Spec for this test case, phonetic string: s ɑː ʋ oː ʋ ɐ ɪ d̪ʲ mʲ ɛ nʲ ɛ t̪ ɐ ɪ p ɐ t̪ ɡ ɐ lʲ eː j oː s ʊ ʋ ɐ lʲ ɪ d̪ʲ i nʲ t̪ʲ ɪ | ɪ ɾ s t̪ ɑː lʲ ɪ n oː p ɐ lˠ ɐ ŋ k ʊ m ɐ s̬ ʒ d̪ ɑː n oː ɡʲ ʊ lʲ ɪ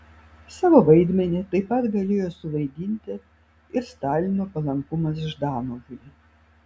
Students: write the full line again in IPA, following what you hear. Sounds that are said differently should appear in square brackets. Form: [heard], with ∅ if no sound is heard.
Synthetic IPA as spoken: s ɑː ʋ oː ʋ ɐ ɪ d̪ʲ mʲ ɛ nʲ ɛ t̪ ɐ ɪ p ɐ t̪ ɡ ɐ lʲ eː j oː s ʊ ʋ ɐ [∅] ɪ d̪ʲ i nʲ t̪ʲ ɪ | ɪ ɾ s t̪ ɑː lʲ ɪ n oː p ɐ lˠ ɐ ŋ k ʊ m ɐ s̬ ʒ d̪ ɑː n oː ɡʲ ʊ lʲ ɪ

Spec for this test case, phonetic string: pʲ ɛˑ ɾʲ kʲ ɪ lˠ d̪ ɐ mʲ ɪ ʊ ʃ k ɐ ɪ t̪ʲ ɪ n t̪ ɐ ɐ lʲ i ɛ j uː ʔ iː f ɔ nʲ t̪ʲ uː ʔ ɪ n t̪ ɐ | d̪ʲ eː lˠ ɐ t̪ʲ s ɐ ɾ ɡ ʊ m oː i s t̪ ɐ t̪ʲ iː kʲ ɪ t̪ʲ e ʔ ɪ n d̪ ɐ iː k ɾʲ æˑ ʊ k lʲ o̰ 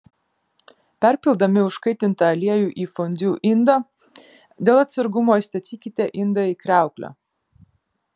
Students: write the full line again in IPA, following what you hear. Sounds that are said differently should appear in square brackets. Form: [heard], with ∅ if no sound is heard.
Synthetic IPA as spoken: pʲ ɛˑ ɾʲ [pʲ] ɪ lˠ d̪ ɐ mʲ ɪ ʊ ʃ k ɐ ɪ t̪ʲ ɪ n t̪ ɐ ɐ lʲ i ɛ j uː ʔ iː f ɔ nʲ [d̪ʲ] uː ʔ ɪ n [d̪] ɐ | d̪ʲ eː lˠ ɐ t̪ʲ s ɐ ɾ ɡ ʊ m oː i s t̪ ɐ t̪ʲ iː kʲ ɪ t̪ʲ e ʔ ɪ n d̪ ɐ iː k ɾʲ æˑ ʊ k lʲ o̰

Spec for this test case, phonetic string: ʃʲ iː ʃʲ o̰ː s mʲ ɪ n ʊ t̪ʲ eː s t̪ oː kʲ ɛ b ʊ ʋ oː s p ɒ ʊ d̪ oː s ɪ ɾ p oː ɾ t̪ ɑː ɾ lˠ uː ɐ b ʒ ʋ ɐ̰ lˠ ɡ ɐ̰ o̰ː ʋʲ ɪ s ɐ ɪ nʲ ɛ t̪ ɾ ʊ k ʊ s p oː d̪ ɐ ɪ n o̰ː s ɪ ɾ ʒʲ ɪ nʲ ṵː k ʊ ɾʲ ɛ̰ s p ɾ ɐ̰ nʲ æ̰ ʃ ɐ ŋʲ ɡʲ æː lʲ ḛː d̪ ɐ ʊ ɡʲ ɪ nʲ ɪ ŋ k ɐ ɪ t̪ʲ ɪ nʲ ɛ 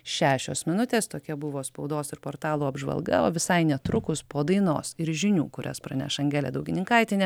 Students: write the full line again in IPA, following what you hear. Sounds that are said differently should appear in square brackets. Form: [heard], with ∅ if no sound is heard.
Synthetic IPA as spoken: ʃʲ [æː] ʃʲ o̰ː s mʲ ɪ n ʊ t̪ʲ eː s t̪ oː kʲ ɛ b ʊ ʋ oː s p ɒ ʊ d̪ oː s ɪ ɾ p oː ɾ t̪ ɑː [∅] lˠ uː ɐ b ʒ ʋ ɐ̰ lˠ ɡ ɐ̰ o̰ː ʋʲ ɪ s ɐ ɪ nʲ ɛ t̪ ɾ ʊ k ʊ s p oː d̪ ɐ ɪ n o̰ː s ɪ ɾ ʒʲ ɪ nʲ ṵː k ʊ ɾʲ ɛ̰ s p ɾ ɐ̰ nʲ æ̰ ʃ ɐ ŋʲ ɡʲ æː lʲ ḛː d̪ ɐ ʊ ɡʲ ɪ nʲ ɪ ŋ k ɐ ɪ t̪ʲ ɪ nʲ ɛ

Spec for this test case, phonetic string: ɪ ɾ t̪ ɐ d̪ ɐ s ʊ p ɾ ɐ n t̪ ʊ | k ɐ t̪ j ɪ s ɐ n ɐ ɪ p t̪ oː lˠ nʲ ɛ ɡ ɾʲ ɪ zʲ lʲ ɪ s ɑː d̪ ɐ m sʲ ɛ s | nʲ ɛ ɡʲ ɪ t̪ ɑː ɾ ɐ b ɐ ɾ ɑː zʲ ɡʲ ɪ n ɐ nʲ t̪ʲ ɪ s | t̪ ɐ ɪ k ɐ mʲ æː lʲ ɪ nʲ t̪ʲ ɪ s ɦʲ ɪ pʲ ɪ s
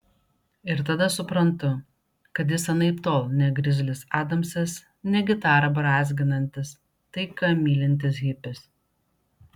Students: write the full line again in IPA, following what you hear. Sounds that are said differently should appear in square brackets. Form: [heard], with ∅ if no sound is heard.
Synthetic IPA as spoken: ɪ ɾ t̪ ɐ d̪ ɐ s ʊ p ɾ ɐ n t̪ ʊ | k ɐ t̪ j ɪ s ɐ n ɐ ɪ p t̪ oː lˠ nʲ ɛ ɡ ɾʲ ɪ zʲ lʲ ɪ s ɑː d̪ ɐ m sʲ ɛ s | nʲ ɛ ɡʲ ɪ t̪ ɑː ɾ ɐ b ɐ ɾ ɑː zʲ ɡʲ ɪ n ɐ nʲ t̪ʲ ɪ s | t̪ ɐ ɪ k ɐ mʲ [iː] lʲ ɪ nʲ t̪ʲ ɪ s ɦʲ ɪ pʲ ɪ s

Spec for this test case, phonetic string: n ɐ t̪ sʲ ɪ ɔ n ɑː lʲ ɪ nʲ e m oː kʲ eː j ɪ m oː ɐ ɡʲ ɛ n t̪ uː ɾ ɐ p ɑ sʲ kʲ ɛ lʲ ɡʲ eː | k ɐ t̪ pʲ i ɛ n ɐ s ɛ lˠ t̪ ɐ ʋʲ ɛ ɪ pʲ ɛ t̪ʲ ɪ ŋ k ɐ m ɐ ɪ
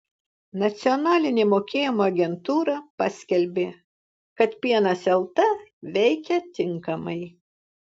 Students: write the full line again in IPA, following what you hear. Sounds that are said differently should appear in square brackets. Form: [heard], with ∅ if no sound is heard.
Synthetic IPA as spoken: n ɐ t̪ sʲ ɪ ɔ n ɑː lʲ ɪ nʲ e m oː kʲ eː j ɪ m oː ɐ ɡʲ ɛ n t̪ uː ɾ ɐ p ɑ sʲ kʲ ɛ lʲ [bʲ] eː | k ɐ t̪ pʲ i ɛ n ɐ s ɛ lˠ t̪ ɐ ʋʲ ɛ ɪ [kʲ] ɛ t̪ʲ ɪ ŋ k ɐ m ɐ ɪ

